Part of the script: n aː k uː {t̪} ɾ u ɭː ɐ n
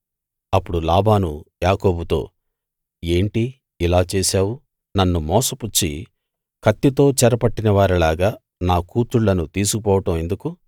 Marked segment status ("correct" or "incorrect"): correct